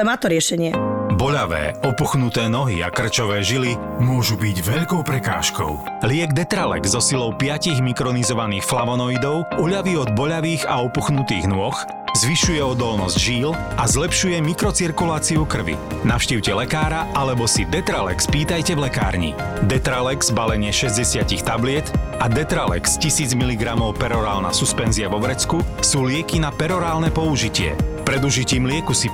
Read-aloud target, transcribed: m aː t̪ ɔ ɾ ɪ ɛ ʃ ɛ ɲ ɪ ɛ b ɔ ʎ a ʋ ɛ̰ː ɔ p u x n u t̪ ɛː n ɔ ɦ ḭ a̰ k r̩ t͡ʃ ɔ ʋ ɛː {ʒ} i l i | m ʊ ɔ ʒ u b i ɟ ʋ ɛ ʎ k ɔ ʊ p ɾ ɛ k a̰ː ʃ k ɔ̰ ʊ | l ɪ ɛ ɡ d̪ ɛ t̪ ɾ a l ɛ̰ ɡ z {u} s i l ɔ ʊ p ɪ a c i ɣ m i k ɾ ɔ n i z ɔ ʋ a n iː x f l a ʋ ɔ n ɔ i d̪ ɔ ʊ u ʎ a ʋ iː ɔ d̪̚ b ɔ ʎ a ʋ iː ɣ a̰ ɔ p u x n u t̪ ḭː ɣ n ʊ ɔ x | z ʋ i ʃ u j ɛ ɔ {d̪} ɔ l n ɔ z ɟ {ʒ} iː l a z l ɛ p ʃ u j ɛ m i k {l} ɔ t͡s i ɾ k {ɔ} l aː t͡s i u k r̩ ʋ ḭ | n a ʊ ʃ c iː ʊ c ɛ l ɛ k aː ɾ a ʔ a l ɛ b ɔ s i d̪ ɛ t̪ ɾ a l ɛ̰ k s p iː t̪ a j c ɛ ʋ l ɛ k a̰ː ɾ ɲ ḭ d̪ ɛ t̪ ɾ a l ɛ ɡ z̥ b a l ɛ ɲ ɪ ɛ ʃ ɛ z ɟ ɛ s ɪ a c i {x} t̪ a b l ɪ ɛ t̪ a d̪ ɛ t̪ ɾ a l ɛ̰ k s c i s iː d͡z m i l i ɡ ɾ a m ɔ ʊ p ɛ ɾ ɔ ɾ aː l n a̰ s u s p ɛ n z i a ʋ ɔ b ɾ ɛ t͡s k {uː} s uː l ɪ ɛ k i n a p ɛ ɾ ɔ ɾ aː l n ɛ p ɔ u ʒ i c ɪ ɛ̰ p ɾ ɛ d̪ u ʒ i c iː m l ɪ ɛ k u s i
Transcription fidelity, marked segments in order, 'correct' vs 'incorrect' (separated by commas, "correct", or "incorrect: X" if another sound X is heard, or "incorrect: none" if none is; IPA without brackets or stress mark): correct, incorrect: ɔ, correct, correct, incorrect: ɾ, incorrect: u, correct, incorrect: u